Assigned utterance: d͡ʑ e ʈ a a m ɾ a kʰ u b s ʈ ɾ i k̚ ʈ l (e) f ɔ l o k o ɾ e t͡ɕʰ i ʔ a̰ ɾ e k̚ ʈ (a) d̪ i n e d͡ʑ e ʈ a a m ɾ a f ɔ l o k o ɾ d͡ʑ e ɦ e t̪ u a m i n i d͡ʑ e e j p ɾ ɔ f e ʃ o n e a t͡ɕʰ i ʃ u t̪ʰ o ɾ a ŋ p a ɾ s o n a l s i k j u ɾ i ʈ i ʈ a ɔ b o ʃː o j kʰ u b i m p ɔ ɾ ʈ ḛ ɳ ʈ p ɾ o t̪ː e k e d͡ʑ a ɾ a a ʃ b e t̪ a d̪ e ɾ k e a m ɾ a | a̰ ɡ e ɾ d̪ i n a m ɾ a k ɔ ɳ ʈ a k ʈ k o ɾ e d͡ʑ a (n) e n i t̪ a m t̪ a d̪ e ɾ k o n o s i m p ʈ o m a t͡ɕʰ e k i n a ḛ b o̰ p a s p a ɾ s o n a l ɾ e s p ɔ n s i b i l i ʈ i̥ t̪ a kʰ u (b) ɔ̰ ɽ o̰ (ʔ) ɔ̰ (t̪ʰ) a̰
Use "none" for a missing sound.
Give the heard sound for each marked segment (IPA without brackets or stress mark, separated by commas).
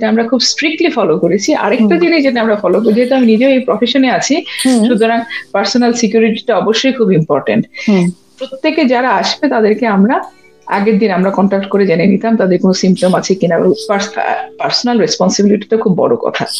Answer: i, a, n, bː, k, t̪ʰ